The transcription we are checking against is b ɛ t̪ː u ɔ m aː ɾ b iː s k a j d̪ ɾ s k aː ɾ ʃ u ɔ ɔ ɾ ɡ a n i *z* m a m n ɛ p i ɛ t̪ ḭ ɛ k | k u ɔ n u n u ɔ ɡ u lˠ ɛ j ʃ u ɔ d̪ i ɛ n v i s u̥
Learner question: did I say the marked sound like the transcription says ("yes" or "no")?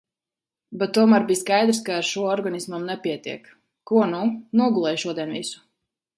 no